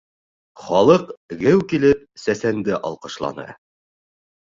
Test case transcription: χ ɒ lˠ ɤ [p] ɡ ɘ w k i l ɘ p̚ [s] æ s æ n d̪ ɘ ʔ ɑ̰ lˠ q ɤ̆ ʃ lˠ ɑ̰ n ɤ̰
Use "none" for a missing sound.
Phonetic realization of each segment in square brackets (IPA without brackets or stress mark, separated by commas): q, s